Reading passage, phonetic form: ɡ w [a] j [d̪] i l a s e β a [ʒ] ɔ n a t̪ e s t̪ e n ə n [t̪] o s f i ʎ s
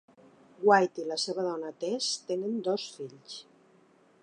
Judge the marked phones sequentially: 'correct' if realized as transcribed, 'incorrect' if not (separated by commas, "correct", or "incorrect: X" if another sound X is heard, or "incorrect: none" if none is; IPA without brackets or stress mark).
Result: correct, incorrect: t̪, incorrect: ð, incorrect: d̪